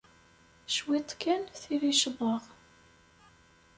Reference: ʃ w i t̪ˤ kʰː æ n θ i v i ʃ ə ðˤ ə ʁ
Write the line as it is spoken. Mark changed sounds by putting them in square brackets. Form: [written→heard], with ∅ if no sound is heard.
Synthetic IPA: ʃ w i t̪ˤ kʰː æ n θ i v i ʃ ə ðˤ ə ʁ